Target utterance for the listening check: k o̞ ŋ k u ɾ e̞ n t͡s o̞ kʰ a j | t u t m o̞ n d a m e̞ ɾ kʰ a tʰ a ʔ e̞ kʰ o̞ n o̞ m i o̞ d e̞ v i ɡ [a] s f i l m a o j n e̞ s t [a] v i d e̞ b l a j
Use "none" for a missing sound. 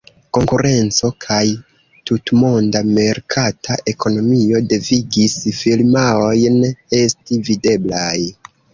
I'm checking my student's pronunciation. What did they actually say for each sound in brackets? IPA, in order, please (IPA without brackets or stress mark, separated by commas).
i, i